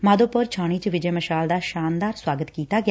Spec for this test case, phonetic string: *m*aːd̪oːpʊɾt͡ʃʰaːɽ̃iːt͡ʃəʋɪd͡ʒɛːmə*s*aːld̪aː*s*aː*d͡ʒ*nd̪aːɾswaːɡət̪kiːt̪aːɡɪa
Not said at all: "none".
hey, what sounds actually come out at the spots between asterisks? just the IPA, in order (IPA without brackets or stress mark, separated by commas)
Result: m, ʃ, ʃ, none